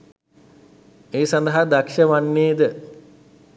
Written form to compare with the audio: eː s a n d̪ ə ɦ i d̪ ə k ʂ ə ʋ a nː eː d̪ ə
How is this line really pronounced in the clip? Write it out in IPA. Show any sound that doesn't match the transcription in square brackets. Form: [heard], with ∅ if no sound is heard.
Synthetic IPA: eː s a n d̪ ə ɦ [a] d̪ [a] k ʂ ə ʋ a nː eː d̪ ə